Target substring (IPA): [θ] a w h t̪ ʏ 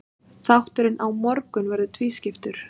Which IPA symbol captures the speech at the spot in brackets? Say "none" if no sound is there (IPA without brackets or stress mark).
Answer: θ